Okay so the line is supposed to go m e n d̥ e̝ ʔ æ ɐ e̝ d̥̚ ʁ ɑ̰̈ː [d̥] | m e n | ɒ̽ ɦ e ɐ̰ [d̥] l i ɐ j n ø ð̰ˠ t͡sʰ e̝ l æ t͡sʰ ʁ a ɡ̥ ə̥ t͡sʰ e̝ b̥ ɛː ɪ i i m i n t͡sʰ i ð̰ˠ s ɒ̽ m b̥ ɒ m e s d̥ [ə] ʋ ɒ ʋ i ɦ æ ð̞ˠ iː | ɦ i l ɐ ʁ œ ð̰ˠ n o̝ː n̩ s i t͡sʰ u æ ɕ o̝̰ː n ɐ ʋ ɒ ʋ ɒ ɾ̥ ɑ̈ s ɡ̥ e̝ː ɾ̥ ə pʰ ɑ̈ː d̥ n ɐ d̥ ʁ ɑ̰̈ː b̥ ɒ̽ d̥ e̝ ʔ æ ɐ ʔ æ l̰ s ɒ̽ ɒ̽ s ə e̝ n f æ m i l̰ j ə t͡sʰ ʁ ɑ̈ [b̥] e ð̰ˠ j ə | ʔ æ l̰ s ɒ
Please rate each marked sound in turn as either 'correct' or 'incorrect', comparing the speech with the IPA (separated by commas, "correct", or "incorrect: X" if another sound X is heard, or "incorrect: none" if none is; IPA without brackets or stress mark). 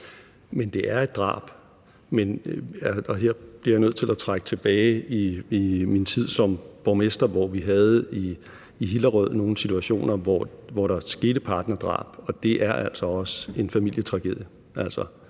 incorrect: b̥, incorrect: b̥, incorrect: ɐ, incorrect: ɡ̥